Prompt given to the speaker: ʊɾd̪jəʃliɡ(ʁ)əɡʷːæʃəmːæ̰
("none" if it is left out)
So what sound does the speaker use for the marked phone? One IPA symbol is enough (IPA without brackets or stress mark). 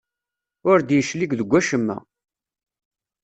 ð